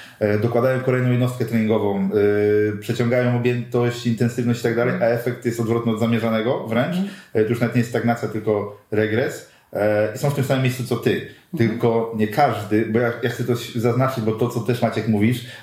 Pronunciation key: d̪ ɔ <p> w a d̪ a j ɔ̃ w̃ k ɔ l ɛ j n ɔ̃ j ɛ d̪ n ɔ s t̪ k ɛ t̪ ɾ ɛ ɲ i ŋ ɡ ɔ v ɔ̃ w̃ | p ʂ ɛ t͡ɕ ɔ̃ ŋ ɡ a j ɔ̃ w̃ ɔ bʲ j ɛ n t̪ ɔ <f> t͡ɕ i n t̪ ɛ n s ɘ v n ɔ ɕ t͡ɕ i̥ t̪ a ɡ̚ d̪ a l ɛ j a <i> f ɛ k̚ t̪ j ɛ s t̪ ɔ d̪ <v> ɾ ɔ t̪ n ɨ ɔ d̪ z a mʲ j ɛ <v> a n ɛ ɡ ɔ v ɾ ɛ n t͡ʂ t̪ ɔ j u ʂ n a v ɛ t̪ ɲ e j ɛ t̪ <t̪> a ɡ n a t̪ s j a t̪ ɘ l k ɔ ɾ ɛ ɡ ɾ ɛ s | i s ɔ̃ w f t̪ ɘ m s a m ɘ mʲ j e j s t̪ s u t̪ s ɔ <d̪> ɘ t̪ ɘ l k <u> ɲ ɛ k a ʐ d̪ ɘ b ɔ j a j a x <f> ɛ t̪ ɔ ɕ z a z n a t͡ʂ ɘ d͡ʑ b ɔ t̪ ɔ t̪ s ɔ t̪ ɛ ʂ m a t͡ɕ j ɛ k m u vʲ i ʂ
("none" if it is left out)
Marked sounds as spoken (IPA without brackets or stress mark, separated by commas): k, ɕ, ɛ, v, ʐ, t̪, t̪, ɔ, s